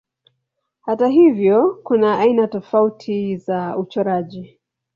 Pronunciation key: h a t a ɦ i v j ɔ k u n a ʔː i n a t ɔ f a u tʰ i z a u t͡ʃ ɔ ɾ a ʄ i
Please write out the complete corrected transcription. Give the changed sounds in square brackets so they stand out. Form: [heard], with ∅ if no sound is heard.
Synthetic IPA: h a t a ɦ i v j ɔ k u n a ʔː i n a t ɔ f a u tʰ i z a u t͡ʃ ɔ ɾ a ʄ i

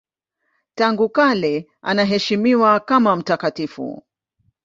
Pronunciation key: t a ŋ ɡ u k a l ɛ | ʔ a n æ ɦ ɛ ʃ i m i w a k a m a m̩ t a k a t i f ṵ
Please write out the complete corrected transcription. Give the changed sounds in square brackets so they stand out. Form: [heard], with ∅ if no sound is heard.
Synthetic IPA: t a ŋ ɡ u k a l ɛ | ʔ a n [a] ɦ ɛ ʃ i m i w a k a m a m̩ t a k a t i f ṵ

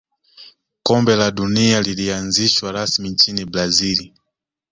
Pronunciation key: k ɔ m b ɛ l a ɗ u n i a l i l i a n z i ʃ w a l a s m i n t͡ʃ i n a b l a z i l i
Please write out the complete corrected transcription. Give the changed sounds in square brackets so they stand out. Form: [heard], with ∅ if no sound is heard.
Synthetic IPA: k ɔ m b ɛ l a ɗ u n i a l i l i a n z i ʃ w a [ɾ] a s m i n t͡ʃ i n [i] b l a z i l i

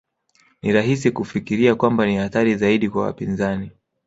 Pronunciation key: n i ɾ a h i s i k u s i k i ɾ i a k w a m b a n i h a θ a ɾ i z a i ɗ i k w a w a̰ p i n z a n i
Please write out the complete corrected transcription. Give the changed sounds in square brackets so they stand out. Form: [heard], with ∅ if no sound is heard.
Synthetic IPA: n i ɾ a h i s i k u [f] i k i ɾ i a k w a m b a n i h a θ a ɾ i z a i ɗ i k w a w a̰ p i n z a n i

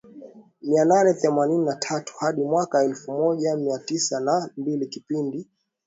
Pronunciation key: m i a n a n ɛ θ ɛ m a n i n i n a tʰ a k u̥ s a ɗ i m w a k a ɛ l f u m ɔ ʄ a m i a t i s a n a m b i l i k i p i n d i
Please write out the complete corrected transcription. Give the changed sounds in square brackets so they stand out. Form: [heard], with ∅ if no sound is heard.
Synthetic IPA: m i a n a n ɛ θ ɛ m a n i n i n a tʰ a [t] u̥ [h] a ɗ i m w a k a ɛ l f u m ɔ ʄ a m i a t i s a n a m b i l i k i p i n d i

